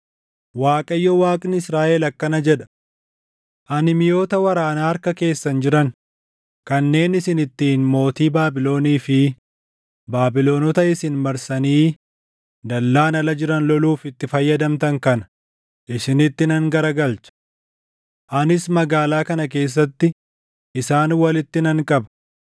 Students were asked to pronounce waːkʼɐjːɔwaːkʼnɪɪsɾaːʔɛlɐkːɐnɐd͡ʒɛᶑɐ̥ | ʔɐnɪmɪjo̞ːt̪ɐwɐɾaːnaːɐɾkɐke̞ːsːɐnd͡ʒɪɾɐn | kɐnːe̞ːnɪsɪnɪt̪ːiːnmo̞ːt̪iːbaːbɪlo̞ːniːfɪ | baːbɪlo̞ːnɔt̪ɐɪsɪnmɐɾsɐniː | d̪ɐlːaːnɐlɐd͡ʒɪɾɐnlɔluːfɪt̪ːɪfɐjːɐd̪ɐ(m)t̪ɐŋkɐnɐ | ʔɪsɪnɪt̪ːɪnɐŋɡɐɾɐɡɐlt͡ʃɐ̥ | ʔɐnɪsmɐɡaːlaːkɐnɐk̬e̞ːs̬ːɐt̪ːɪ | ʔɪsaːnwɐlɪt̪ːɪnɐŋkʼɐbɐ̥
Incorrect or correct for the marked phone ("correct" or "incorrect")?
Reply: correct